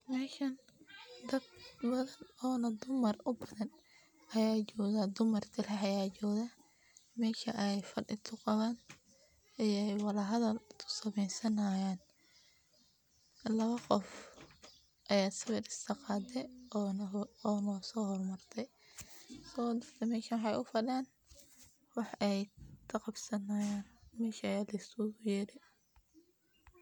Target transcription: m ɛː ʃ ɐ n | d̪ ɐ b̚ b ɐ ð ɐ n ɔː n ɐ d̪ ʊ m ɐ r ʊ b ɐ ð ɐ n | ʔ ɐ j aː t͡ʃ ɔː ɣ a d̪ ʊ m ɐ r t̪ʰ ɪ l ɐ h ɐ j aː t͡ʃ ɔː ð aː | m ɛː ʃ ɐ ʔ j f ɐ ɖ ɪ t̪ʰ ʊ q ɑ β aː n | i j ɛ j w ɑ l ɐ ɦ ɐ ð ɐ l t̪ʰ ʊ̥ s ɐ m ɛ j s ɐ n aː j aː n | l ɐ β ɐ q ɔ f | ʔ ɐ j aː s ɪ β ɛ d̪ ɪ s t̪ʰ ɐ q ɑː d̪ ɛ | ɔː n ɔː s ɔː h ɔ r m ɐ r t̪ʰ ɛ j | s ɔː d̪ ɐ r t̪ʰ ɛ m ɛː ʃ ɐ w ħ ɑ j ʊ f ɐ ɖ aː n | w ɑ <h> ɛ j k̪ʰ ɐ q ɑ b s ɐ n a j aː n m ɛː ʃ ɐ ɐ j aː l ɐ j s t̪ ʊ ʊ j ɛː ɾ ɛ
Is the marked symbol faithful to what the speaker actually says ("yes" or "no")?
no